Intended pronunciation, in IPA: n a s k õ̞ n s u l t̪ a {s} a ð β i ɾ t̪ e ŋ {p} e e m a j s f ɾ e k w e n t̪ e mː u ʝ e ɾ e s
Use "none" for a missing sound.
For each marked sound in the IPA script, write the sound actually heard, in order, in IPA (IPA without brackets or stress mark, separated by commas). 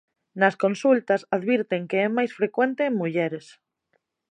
s, k